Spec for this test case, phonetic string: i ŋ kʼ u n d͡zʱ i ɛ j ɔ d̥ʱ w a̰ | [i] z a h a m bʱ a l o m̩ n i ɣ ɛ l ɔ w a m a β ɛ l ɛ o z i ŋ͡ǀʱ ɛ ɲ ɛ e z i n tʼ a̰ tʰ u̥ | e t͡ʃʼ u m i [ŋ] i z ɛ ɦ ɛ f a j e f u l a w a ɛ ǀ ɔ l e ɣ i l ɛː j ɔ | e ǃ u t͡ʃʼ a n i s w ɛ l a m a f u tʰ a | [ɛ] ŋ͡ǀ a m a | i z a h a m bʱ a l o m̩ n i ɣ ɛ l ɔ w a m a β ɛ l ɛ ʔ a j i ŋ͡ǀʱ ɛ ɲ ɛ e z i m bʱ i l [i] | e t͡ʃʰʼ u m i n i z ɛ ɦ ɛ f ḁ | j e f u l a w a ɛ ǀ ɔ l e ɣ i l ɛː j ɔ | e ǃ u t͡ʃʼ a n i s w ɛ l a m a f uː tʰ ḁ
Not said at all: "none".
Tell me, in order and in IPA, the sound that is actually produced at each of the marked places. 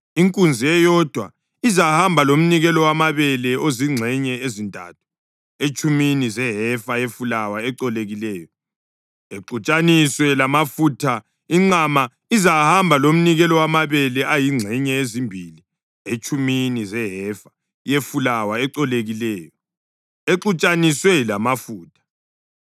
i, n, i, i

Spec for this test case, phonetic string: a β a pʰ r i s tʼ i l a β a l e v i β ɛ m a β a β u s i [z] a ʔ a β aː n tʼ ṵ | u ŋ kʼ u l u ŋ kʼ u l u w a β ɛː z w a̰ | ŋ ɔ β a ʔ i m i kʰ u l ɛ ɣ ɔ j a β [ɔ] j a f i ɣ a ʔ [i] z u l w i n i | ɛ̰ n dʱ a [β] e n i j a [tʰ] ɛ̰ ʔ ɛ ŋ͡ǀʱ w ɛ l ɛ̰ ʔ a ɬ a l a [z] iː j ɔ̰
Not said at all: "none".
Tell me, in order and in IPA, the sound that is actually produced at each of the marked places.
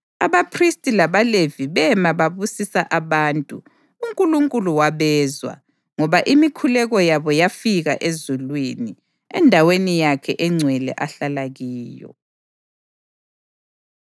s, ɔ, e, w, kʰ, ɣ

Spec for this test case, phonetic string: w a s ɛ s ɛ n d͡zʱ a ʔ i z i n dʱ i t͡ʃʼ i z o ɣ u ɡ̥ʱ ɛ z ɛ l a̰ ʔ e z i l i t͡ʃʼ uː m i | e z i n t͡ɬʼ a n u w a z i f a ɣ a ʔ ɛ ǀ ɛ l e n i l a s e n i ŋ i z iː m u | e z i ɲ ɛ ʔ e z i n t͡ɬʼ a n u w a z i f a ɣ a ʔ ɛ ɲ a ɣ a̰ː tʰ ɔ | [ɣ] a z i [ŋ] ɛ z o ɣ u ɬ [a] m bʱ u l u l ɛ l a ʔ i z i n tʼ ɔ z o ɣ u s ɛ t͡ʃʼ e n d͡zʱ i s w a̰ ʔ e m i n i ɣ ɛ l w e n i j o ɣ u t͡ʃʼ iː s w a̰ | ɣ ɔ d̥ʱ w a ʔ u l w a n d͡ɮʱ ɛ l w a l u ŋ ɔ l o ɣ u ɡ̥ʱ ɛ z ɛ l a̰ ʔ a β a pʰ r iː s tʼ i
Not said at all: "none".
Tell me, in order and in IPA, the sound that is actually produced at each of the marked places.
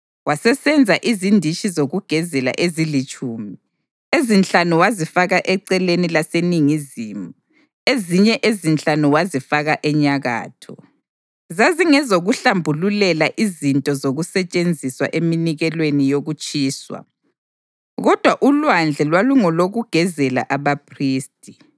z, ŋ, a

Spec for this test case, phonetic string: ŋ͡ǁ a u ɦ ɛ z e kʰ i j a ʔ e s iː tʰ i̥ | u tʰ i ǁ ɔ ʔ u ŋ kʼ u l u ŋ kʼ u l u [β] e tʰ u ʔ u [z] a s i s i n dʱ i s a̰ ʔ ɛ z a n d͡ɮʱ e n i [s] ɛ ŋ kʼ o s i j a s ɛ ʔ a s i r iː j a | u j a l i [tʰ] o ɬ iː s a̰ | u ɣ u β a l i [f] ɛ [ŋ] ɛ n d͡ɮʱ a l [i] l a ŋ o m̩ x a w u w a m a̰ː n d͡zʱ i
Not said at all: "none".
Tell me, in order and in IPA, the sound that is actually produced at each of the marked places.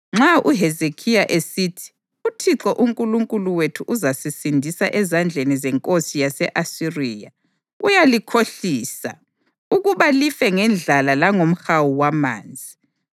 w, z, z, kʰ, f, ŋ, a

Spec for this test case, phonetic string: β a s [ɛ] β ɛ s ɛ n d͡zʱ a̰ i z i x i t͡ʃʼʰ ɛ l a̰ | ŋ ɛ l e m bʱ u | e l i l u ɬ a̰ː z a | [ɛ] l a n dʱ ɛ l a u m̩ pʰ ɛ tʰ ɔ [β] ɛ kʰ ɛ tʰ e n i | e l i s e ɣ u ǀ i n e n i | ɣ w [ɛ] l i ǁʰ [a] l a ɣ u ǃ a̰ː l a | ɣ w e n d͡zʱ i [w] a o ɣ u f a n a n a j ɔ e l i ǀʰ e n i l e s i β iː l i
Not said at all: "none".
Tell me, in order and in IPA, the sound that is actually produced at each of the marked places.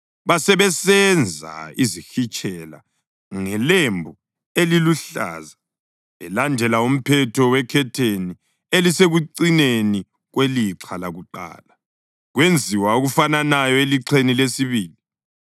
ɛ, ɛ, w, e, a, w

